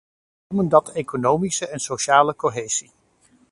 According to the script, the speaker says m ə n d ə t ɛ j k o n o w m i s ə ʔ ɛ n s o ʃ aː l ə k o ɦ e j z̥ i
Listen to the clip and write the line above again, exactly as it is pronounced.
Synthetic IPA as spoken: m ə n d ɑ t e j k o n o w m i s ə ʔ ɛ n s o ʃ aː l ə k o ɦ e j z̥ i